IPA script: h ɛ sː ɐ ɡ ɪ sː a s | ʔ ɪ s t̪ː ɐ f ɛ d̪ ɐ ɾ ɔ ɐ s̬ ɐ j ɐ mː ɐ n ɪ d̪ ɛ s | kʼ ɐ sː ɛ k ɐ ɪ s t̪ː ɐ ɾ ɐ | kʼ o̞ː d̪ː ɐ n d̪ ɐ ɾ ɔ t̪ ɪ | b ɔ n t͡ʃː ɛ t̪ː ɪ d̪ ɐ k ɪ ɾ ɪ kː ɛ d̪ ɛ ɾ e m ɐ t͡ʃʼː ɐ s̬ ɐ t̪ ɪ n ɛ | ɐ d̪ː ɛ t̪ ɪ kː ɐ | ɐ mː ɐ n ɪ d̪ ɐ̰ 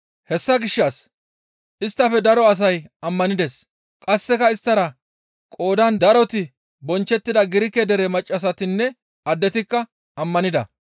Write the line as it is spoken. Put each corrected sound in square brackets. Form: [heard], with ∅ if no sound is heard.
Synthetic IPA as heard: h ɛ sː ɐ ɡ ɪ [ʃː] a s | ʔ ɪ s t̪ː ɐ f ɛ d̪ ɐ ɾ ɔ ɐ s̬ ɐ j ɐ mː ɐ n ɪ d̪ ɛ s | kʼ ɐ sː ɛ k ɐ ɪ s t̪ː ɐ ɾ ɐ | kʼ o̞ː [d̪] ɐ n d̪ ɐ ɾ ɔ t̪ ɪ | b ɔ n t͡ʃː ɛ t̪ː ɪ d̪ ɐ [ɡ] ɪ ɾ ɪ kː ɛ d̪ ɛ ɾ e m ɐ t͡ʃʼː ɐ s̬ ɐ t̪ ɪ [nː] ɛ | ɐ d̪ː ɛ t̪ ɪ kː ɐ | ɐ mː ɐ n ɪ d̪ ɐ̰